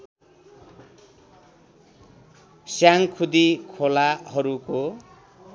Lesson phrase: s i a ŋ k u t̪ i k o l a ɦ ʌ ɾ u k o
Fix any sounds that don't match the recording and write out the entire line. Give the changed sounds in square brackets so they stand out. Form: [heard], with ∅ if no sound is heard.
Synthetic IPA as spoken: s [j] a ŋ [kʰ] u [d̪] i [kʰ] o l a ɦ ʌ ɾ u k o